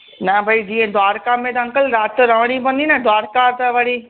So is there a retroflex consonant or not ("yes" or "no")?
yes